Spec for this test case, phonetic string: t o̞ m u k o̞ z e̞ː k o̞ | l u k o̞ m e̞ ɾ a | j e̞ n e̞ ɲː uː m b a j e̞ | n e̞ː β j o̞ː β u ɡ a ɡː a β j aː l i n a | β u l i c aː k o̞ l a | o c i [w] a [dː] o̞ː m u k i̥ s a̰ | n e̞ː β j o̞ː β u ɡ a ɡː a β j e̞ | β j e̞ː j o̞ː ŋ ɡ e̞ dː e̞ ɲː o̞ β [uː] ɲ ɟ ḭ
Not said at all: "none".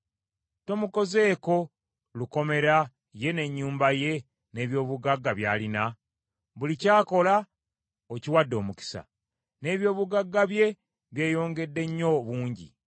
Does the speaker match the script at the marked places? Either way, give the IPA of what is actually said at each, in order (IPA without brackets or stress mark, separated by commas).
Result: w, dː, uː